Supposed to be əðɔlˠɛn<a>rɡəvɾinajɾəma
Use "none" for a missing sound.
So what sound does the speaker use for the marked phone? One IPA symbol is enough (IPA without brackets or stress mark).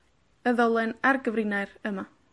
a